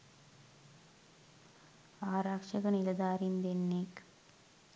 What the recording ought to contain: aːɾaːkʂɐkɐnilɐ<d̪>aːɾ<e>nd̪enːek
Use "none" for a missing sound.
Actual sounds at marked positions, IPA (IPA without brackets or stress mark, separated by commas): d̪, i